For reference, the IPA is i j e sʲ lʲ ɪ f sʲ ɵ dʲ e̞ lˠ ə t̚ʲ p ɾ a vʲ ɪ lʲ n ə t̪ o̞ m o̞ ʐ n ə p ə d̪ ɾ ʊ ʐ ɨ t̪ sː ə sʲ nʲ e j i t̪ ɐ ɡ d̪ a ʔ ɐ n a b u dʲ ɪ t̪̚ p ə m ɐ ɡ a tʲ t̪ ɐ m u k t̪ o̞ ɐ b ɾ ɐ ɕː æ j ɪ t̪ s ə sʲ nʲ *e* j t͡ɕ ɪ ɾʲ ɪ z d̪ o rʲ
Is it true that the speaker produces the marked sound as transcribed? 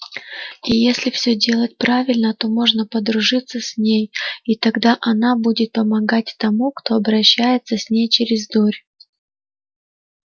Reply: yes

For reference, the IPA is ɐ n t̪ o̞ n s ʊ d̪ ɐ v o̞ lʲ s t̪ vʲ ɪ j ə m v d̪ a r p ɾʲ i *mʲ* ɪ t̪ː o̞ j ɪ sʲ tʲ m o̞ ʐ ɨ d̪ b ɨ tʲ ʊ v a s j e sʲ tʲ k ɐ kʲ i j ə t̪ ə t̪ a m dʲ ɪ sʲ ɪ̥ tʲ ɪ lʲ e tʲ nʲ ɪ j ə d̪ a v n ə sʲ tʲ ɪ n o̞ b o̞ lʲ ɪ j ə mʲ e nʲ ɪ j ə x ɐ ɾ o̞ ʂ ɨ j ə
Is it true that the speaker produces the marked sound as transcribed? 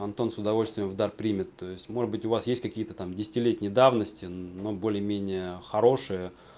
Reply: yes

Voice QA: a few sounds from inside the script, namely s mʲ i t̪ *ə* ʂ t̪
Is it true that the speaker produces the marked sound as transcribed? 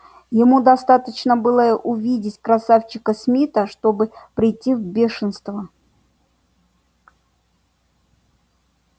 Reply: yes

